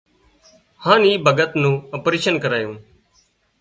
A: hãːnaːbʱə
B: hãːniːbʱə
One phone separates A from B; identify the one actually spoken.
B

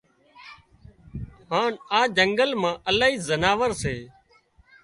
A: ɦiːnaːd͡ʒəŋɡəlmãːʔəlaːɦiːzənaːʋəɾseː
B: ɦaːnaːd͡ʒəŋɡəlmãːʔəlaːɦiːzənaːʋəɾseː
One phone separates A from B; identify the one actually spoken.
B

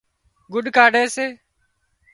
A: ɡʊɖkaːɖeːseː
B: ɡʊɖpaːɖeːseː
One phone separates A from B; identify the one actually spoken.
A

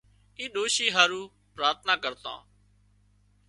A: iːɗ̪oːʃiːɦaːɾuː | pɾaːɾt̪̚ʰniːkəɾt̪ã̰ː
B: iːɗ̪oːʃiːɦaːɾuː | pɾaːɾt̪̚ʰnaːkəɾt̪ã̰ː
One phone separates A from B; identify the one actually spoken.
B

